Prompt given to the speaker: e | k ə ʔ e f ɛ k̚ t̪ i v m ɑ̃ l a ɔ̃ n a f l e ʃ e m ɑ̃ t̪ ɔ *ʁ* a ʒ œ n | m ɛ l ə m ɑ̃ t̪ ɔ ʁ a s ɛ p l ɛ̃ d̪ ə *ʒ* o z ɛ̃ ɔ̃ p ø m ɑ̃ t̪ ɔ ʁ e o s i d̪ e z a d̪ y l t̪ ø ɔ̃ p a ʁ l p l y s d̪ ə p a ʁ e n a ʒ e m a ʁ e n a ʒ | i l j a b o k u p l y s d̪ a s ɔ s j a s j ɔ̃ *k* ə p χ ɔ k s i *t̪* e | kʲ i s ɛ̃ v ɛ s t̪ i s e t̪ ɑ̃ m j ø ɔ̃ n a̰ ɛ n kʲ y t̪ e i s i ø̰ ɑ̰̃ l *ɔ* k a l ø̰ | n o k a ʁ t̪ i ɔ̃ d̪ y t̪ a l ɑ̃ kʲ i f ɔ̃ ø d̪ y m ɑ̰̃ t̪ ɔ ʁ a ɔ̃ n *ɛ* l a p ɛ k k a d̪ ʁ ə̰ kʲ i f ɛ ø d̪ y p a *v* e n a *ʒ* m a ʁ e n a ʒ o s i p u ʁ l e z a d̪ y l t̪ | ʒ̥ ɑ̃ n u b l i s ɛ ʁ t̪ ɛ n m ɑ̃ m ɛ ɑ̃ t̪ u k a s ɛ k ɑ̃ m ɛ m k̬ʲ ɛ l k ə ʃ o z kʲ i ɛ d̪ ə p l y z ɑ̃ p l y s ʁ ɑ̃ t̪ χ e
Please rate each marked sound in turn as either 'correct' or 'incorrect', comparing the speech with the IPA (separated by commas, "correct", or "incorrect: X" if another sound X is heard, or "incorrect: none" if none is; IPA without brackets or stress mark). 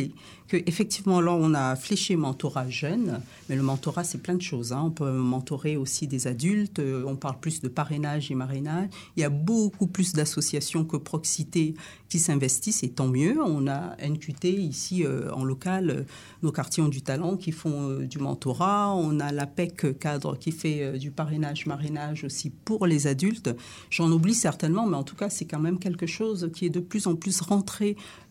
correct, incorrect: ʃ, correct, correct, correct, incorrect: a, incorrect: ʁ, correct